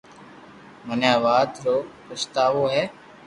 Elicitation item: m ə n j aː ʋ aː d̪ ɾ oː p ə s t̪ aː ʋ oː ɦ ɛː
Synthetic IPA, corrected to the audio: m ə n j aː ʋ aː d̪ ɾ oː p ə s t̪ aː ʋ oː ɦ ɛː